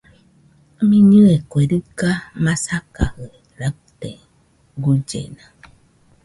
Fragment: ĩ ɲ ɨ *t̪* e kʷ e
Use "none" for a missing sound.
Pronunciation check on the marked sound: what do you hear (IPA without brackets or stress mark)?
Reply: none